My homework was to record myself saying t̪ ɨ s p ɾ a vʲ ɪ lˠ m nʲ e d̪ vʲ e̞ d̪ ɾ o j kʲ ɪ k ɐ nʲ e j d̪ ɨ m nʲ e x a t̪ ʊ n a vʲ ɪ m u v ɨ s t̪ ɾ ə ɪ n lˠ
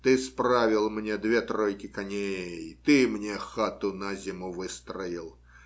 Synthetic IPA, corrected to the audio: t̪ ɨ s p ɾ a vʲ ɪ lˠ m nʲ e d̪ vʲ e̞ t̪ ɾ o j kʲ ɪ k ɐ nʲ e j t̪ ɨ m nʲ e x a t̪ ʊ n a zʲ ɪ m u v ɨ s t̪ ɾ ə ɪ lˠ

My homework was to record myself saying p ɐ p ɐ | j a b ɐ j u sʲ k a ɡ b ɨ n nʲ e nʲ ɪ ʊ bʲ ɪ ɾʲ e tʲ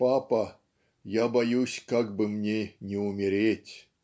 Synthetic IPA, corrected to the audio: p a p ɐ | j a b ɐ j u sʲ k a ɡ b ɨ m nʲ e nʲ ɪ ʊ mʲ ɪ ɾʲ e tʲ

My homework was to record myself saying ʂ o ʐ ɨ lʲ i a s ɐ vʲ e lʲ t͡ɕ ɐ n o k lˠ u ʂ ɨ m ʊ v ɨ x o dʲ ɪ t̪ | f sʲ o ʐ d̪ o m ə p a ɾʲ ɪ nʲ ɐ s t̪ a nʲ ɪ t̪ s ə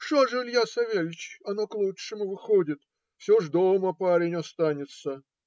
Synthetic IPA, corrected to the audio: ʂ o ʐ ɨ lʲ j a s ɐ vʲ e lʲ t͡ɕ ɐ n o k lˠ u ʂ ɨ m ʊ v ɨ x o dʲ ɪ t̪ | f sʲ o ʐ d̪ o m ə p a ɾʲ ɪ nʲ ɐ s t̪ a nʲ ɪ t̪ s ə

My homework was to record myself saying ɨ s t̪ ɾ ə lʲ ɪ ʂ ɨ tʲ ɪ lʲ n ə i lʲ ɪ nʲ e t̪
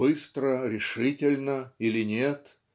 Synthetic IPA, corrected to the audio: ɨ s t̪ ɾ ə ɾʲ ɪ ʂ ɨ tʲ ɪ lʲ n ə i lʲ ɪ nʲ e t̪

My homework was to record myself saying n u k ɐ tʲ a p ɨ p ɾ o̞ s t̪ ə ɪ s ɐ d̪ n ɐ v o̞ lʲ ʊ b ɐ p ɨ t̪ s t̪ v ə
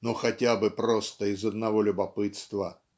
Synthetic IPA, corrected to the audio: n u x ɐ tʲ a b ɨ p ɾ o̞ s t̪ ə ɪ z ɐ d̪ n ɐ v o̞ lʲ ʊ b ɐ p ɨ t̪ s t̪ v ə

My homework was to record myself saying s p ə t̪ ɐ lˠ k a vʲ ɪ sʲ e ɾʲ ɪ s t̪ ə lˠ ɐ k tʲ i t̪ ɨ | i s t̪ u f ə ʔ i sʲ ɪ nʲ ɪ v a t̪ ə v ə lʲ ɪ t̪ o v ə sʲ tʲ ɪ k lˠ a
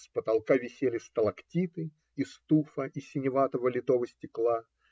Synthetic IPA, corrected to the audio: s p ə t̪ ɐ lˠ k a vʲ ɪ sʲ e lʲ ɪ s t̪ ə lˠ ɐ k tʲ i t̪ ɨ | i s t̪ u f ə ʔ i sʲ ɪ nʲ ɪ v a t̪ ə v ə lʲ ɪ t̪ o v ə sʲ tʲ ɪ k lˠ a

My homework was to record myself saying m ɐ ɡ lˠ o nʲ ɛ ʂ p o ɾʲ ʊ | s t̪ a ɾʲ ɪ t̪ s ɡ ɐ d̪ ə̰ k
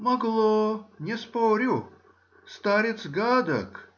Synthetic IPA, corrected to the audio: m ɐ ɡ lˠ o nʲ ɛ s p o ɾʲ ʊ | s t̪ a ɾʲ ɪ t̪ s ɡ a d̪ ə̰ k

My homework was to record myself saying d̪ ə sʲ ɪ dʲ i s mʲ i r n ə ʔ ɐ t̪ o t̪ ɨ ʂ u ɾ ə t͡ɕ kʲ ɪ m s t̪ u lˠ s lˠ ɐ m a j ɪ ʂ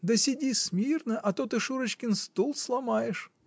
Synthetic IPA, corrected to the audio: d̪ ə sʲ ɪ dʲ i s mʲ i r n ə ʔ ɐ t̪ o t̪ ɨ ʂ u ɾ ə t͡ɕ kʲ ɪ n s t̪ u lˠ s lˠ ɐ m a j ɪ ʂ

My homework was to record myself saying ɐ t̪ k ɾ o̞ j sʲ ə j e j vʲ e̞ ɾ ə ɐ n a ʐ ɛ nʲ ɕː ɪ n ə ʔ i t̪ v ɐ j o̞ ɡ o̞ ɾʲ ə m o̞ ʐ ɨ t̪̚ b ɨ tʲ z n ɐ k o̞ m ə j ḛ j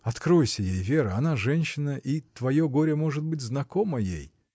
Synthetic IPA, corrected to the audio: ɐ t̪ k ɾ o̞ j sʲ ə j e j vʲ e̞ ɾ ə ɐ n a ʐ ɛ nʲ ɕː ɪ n ə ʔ i t̪ v ɐ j o̞ ɡ o̞ ɾʲ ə m o̞ ʐ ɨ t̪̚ b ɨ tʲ z n ɐ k o̞ m ə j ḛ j

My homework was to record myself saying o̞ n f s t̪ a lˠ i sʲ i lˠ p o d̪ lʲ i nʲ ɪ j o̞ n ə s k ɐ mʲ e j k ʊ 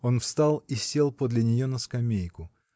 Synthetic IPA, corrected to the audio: o̞ n f s t̪ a lˠ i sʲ e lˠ p o d̪ lʲ ɪ nʲ ɪ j o̞ n ə s k ɐ mʲ e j k ʊ

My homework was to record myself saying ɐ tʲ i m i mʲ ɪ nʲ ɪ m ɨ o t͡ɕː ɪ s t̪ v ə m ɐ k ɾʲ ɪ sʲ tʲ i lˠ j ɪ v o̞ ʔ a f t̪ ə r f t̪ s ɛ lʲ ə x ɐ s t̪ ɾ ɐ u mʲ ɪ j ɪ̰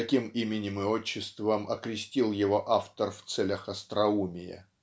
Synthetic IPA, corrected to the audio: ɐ kʲ i m i mʲ ɪ nʲ ɪ m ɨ o t͡ɕː ɪ s t̪ v ə m ɐ k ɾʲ ɪ sʲ tʲ i lˠ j ɪ v o̞ ʔ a f t̪ ə r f t̪ s ɛ lʲ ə x ɐ s t̪ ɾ ɐ u mʲ ɪ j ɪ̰

